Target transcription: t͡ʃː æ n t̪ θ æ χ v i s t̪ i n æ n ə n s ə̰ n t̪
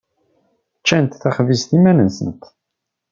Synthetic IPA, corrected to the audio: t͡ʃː æ n t̪ θ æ χ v i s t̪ i m æ n ə n s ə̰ n t̪